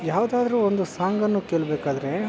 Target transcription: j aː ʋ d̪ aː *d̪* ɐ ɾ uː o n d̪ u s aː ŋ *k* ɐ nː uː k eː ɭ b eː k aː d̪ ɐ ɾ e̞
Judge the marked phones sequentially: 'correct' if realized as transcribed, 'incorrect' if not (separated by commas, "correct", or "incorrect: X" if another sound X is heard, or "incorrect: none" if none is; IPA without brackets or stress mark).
correct, incorrect: ɡ